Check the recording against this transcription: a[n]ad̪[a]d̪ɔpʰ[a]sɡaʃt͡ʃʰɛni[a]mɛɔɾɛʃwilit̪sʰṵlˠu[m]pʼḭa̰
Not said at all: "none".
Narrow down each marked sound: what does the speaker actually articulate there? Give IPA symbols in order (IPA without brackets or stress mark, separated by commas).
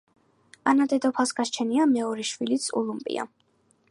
n, ɛ, a, a, m